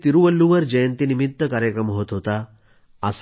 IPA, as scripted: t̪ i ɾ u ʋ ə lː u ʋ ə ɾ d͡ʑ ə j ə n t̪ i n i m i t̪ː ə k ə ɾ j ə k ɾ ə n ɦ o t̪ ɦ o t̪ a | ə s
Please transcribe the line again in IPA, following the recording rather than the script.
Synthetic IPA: t̪ i ɾ u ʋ ə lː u ʋ ə ɾ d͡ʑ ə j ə n t̪ i n i m i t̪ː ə k a ɾ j ə k ɾ ə m ɦ o t̪ ɦ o t̪ a | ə s